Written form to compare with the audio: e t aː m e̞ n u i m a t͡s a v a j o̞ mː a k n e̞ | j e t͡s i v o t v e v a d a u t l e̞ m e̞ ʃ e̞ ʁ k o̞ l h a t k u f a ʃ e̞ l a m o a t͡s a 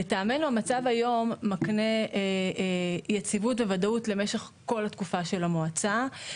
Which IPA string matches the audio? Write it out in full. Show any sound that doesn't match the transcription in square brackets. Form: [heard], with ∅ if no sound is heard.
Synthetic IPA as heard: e t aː m e̞ n u [a] m a t͡s a v a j o̞ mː a k n e̞ | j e t͡s i v [u] t v e v a d a u t l e̞ m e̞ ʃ e̞ [χ] k o̞ l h a t k u f a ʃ e̞ l a m o a t͡s a